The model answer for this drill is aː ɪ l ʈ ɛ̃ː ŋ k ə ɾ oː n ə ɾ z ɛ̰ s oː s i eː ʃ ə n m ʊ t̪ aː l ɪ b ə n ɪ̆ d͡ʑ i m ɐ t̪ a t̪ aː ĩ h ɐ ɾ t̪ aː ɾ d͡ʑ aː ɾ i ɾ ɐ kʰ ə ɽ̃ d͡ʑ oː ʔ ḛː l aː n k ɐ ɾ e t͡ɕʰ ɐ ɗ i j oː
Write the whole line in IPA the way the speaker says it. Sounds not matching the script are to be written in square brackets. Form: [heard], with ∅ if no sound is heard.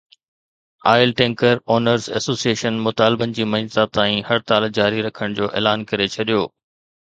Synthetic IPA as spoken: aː ɪ l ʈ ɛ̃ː ŋ k ə ɾ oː n ə ɾ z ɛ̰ s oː s i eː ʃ ə n m ʊ t̪ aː l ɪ b ə n ɪ̆ d͡ʑ [iː] m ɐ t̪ a t̪ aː ĩ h ɐ ɾ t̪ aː [l] d͡ʑ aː ɾ i ɾ ɐ kʰ ə ɽ̃ d͡ʑ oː ʔ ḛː l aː n k ɐ ɾ e t͡ɕʰ ɐ ɗ i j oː

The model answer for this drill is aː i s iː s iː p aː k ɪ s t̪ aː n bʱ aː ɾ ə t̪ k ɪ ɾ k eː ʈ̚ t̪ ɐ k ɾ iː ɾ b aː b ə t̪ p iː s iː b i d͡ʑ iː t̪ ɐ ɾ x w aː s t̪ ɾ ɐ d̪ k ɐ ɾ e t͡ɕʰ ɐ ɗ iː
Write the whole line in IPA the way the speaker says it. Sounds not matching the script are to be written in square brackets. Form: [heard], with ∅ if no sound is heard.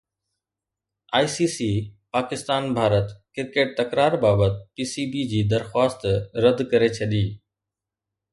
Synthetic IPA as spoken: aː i s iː s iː p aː k ɪ s t̪ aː n bʱ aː ɾ ə t̪ k ɪ ɾ k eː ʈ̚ t̪ ɐ k ɾ [aː] ɾ b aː b ə t̪ p iː s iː b i d͡ʑ iː [d̪] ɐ ɾ x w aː s t̪ ɾ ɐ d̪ k ɐ ɾ e t͡ɕʰ ɐ ɗ iː

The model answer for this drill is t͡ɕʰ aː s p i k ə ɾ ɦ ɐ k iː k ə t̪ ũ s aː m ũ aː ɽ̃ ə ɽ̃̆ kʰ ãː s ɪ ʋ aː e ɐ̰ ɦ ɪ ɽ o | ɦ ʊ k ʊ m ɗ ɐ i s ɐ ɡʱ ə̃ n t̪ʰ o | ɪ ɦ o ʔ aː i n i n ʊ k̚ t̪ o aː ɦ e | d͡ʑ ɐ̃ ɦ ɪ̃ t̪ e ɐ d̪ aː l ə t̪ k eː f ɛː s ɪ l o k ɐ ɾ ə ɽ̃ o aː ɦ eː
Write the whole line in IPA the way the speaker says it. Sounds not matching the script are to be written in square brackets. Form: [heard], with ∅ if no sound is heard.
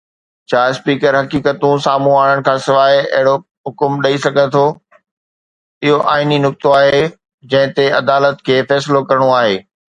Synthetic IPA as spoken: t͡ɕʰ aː s p [iː] k ə ɾ ɦ ɐ k iː k ə t̪ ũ s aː m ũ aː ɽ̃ ə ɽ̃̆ kʰ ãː s ɪ ʋ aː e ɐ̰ ɦ ɪ ɽ o | ɦ ʊ k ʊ m ɗ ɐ i s ɐ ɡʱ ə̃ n t̪ʰ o | ɪ ɦ o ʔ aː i n i n ʊ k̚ t̪ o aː ɦ e | d͡ʑ ɐ̃ ɦ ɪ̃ t̪ e ɐ d̪ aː l ə t̪ [kʰ] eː f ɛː s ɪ l o k ɐ ɾ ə ɽ̃ o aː ɦ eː

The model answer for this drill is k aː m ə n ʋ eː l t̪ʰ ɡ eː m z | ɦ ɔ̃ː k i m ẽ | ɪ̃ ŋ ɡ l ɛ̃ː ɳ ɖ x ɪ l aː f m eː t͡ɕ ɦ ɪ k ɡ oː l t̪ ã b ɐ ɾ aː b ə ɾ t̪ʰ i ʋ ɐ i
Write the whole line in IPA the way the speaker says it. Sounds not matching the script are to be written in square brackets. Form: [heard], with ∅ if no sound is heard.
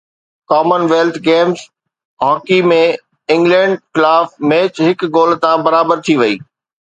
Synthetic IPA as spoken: k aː m ə n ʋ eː l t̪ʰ ɡ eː m z | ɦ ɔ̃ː k i m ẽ | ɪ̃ ŋ ɡ l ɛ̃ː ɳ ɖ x ɪ l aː f m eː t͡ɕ ɦ ɪ k ɡ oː l t̪ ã b ɐ ɾ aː b ə ɾ t̪ʰ i ʋ ɐ [iː]

